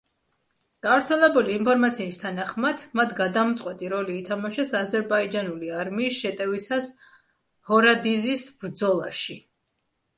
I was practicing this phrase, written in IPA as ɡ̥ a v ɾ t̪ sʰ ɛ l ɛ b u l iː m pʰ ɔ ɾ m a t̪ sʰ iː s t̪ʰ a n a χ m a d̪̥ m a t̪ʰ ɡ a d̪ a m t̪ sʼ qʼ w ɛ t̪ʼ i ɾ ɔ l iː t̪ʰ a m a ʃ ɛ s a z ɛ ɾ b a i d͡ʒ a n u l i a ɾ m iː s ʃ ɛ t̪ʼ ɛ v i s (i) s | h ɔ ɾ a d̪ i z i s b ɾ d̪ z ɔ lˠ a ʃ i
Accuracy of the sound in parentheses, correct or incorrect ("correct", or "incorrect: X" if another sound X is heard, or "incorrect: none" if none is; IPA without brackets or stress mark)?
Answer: incorrect: a